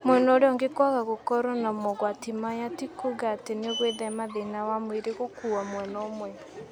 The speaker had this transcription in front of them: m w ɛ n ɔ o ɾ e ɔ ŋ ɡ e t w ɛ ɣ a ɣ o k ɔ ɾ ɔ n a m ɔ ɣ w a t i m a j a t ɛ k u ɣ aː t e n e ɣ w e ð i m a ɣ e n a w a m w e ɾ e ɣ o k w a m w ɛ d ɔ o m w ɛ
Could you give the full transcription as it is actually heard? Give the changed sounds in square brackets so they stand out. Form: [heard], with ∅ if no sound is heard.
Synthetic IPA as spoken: m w ɛ n ɔ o ɾ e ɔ ŋ ɡ e [k] w [a] ɣ a ɣ o k ɔ ɾ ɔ n a m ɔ ɣ w a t i m a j a t [i] k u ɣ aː t e n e ɣ w e ð [ɛ] m a [ð] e n a w a m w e ɾ e ɣ o k [u] a m w ɛ [n] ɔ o m w ɛ